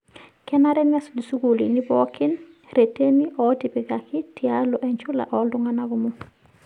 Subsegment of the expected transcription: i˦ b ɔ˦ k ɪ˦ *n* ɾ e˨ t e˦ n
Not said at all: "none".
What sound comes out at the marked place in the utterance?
n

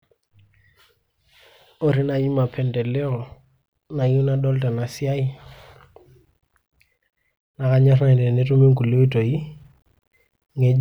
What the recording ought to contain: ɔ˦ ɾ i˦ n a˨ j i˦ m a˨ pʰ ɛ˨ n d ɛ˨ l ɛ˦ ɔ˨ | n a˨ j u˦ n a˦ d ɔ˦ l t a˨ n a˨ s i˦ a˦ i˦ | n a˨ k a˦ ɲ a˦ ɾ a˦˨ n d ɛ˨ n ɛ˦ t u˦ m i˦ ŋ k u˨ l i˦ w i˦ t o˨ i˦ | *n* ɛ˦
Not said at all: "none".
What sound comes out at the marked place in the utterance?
ŋ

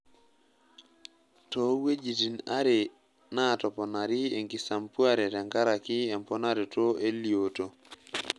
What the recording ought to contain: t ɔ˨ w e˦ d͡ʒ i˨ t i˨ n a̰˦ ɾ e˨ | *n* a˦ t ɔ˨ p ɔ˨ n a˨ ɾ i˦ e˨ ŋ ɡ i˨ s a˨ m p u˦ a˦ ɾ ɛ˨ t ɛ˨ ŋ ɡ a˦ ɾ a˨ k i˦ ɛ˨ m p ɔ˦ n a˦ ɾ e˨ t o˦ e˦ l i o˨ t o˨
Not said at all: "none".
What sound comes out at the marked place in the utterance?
n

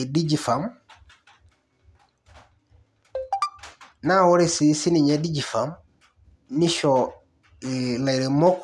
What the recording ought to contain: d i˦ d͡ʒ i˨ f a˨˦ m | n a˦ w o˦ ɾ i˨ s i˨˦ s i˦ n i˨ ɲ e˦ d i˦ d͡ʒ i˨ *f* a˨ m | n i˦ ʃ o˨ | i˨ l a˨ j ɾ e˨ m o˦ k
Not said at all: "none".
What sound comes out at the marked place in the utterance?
f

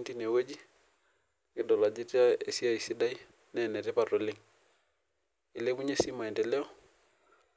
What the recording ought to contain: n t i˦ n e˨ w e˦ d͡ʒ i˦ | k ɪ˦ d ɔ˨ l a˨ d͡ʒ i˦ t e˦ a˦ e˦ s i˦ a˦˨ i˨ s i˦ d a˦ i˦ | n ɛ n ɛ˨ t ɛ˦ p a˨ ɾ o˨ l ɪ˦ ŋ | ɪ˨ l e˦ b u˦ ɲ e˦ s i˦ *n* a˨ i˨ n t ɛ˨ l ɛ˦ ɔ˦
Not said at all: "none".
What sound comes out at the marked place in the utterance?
m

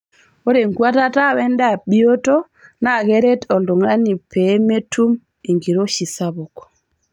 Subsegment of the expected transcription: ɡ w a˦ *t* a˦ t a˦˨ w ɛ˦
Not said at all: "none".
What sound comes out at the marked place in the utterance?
t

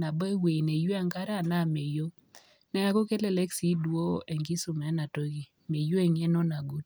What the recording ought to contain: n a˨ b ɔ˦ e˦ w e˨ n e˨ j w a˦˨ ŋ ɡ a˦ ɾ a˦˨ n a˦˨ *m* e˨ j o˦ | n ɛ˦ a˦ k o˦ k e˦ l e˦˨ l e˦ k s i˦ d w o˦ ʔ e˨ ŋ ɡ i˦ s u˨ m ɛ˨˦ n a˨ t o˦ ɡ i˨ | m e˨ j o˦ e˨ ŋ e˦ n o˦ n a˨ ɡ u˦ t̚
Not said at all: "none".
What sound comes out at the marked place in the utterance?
m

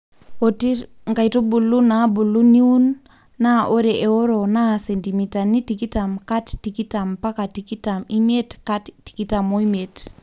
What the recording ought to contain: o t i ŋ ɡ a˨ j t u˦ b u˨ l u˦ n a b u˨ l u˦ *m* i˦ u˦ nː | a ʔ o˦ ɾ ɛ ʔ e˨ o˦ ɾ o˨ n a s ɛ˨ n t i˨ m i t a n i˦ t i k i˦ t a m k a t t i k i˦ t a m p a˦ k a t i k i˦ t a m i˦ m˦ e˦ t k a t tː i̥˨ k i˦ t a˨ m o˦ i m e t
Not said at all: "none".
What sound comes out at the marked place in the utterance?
n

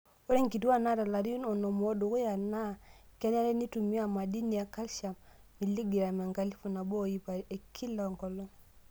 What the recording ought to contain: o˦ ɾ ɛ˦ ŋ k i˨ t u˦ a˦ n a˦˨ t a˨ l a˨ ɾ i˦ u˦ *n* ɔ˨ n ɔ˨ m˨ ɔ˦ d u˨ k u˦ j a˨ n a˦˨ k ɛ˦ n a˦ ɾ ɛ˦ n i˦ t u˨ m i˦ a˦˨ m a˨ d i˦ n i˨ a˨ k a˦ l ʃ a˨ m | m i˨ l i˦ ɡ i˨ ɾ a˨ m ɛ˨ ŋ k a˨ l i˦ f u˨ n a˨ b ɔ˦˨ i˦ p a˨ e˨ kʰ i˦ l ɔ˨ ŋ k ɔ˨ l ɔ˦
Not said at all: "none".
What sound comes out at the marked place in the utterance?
n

